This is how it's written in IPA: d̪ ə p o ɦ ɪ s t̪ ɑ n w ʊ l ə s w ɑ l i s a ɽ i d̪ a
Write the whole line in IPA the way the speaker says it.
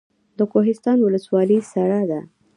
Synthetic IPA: d̪ ə k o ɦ ɪ s t̪ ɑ n w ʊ l ə s w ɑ l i s a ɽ a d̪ a